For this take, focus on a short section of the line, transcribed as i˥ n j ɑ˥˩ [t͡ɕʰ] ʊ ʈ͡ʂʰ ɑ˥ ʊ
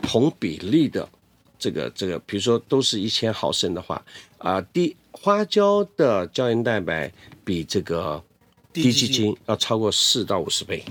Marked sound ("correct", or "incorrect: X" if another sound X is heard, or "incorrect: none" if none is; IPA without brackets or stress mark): incorrect: none